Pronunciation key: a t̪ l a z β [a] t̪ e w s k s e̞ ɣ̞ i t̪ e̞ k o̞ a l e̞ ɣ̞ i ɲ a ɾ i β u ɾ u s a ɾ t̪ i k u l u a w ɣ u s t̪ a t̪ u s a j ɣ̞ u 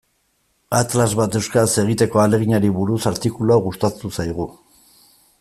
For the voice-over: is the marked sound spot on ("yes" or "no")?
yes